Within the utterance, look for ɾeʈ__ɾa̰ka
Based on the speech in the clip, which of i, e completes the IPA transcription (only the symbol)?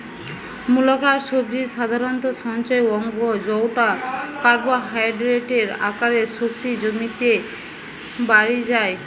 e